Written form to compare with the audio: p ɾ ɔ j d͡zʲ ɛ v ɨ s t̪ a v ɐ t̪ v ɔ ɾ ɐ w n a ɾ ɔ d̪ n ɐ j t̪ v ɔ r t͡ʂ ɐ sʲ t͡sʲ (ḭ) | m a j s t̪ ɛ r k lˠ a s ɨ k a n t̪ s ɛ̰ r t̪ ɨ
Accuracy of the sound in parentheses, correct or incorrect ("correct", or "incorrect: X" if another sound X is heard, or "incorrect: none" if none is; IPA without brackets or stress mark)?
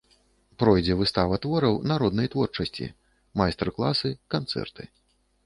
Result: correct